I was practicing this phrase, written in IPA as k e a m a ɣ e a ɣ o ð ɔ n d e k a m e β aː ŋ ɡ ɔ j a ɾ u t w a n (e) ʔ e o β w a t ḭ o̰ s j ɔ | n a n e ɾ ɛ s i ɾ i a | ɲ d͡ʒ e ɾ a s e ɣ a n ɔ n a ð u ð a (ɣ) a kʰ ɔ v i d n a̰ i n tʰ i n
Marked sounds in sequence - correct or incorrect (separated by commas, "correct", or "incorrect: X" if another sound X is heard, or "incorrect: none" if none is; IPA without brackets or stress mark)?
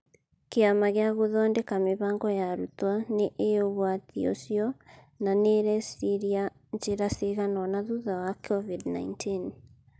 correct, incorrect: w